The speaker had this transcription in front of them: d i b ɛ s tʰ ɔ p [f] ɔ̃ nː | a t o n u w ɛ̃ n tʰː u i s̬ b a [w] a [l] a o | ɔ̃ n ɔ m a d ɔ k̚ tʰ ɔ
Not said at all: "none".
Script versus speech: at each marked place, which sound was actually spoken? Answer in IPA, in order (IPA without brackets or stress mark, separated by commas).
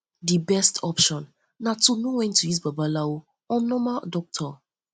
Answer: ʃ, b, l